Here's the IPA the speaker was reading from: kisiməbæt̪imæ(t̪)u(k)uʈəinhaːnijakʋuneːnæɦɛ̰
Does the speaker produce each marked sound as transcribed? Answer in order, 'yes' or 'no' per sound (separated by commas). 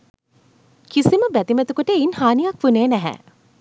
yes, yes